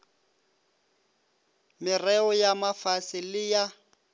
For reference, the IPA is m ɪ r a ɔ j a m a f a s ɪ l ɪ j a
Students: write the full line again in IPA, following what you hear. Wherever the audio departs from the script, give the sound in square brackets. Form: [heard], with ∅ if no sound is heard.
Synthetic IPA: m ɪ r [ɛ] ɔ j a m a f a s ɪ l ɪ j a

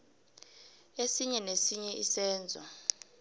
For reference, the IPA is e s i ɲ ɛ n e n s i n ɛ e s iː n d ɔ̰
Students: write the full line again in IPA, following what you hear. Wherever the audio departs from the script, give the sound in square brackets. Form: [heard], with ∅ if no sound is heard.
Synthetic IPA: e s i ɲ ɛ n e [∅] s i [ɲ] ɛ [i] s [ɛː] n [d͡zʱ] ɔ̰

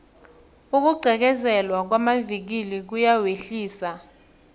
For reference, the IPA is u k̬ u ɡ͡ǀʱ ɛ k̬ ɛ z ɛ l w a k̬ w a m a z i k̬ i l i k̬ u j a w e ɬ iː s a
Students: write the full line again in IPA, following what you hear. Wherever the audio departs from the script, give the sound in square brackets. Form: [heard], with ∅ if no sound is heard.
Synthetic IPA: u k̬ u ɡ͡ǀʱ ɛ k̬ ɛ z ɛ l w a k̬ w a m a [v] i k̬ i l i k̬ u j a w e ɬ iː s a

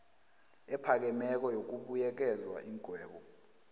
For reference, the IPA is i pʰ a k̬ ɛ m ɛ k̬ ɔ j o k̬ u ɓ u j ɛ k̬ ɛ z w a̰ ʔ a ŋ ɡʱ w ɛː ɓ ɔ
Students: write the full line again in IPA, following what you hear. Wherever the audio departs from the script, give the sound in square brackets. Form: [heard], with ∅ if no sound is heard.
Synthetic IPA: [ɛ] pʰ a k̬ ɛ m ɛ k̬ ɔ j o k̬ u ɓ u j ɛ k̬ ɛ z w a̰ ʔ [i] ŋ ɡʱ w ɛː ɓ ɔ

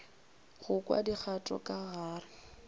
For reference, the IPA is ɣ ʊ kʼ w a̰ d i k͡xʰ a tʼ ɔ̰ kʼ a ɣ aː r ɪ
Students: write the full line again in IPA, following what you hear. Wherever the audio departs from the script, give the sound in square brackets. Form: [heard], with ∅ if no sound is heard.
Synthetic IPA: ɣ ʊ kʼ w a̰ d i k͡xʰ a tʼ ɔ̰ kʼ a ɣ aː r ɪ

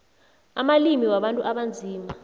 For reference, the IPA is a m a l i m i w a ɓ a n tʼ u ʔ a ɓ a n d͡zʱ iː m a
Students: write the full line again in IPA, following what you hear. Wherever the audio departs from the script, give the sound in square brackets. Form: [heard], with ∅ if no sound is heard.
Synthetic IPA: a m a l i m i w a ɓ a n tʼ u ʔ a ɓ a n d͡zʱ iː m a

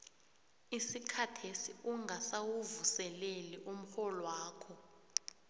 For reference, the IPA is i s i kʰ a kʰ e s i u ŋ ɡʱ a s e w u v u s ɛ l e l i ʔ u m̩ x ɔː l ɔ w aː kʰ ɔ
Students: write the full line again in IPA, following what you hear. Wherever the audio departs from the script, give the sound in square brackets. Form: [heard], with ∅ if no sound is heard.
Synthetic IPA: i s i kʰ a [tʰ] e s i u ŋ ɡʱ a s [a] w u v u s ɛ l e l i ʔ u m̩ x [ɔ] l ɔ w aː kʰ ɔ

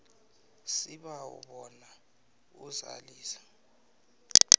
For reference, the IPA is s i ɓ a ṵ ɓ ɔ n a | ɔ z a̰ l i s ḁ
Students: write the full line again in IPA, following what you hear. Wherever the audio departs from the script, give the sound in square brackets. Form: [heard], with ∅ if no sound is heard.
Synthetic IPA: s i ɓ a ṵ ɓ ɔ n a | [u] z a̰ l [iː] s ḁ

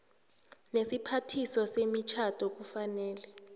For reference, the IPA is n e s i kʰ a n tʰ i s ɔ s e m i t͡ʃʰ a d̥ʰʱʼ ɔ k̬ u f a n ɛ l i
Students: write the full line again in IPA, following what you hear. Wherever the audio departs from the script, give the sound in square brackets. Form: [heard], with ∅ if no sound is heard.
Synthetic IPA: n e s i [pʰ] a [∅] tʰ i s ɔ s e m i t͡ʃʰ a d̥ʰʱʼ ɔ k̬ u f a n [ɛː] l [ɛ]

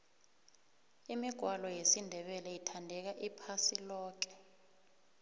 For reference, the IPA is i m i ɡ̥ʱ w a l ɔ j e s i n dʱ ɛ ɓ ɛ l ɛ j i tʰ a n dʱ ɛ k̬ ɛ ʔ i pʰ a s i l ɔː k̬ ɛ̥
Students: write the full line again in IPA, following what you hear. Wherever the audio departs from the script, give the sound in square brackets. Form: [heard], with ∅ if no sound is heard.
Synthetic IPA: i m i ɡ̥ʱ w a l ɔ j e s i n dʱ ɛ ɓ ɛ l ɛ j i tʰ a n dʱ ɛ k̬ [a] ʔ i pʰ a s i l ɔː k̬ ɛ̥

